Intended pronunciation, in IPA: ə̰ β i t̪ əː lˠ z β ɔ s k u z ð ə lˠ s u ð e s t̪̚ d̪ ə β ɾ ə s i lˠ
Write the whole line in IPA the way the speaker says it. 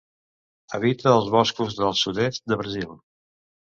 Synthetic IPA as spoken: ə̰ β i t̪ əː lˠ z β ɔ s k u z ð ə lˠ s u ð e s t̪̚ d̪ ə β ɾ ə z i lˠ